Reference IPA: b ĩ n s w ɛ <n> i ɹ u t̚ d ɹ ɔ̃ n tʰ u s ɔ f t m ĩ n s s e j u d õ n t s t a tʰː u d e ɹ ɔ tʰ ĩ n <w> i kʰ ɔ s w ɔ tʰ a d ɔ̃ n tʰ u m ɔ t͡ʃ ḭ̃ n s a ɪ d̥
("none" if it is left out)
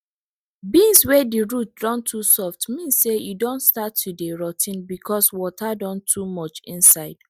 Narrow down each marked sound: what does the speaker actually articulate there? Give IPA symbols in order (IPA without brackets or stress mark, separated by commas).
d, b